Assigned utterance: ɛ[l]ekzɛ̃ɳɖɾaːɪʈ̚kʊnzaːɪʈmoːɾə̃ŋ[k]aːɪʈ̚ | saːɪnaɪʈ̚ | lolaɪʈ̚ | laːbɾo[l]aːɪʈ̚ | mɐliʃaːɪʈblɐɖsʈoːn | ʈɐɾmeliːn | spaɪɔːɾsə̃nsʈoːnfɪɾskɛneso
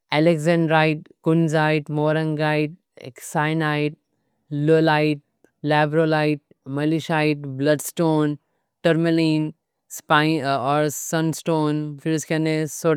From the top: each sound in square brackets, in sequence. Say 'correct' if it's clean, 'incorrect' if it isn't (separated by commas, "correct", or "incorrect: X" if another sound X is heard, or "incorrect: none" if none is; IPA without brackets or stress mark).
correct, incorrect: ɡ, correct